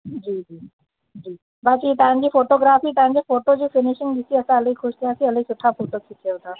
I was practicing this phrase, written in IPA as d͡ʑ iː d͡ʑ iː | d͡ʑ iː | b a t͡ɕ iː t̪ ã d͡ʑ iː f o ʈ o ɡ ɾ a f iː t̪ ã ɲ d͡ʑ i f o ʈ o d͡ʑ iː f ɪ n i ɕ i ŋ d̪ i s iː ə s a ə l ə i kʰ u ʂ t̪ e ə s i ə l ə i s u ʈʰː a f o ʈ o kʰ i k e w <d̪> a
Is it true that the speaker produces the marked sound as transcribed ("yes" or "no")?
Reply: no